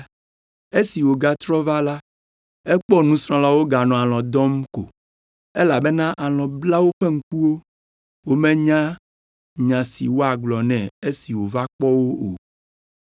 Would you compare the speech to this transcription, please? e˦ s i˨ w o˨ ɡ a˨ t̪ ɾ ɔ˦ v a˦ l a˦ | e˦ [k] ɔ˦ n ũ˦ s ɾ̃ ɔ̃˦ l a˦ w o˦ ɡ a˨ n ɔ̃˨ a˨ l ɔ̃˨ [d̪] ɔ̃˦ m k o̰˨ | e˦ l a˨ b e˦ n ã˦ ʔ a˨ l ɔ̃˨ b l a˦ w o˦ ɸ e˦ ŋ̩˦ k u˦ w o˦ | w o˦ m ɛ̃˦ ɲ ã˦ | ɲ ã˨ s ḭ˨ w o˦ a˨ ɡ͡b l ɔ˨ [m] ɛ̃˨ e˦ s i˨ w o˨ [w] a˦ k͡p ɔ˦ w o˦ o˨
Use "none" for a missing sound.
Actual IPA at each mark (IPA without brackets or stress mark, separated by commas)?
k͡p, d̪, n, v